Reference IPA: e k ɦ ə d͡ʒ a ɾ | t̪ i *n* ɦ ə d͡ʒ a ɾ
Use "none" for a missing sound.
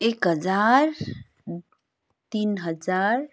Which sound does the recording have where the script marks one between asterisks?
n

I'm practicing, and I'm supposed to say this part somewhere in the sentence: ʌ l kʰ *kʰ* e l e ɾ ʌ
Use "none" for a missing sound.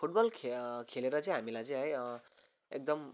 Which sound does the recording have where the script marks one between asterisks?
kʰ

